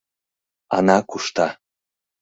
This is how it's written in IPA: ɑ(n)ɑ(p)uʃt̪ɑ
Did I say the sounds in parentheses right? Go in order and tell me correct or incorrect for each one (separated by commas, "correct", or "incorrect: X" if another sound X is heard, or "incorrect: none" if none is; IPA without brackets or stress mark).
correct, incorrect: k